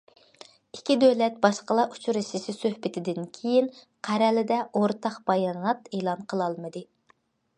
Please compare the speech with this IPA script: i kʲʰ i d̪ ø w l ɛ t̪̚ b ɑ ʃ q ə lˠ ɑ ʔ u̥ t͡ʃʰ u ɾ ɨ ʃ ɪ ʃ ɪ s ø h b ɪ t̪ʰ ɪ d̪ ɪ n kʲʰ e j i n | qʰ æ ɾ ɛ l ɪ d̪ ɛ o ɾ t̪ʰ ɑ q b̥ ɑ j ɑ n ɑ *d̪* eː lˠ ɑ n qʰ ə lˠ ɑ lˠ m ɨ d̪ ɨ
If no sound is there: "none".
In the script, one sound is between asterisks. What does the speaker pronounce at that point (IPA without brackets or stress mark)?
t̪